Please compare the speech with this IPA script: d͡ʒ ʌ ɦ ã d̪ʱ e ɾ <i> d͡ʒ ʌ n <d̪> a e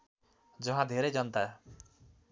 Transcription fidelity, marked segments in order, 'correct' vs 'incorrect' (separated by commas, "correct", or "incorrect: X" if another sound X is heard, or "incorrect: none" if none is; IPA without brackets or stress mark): incorrect: e, incorrect: t̪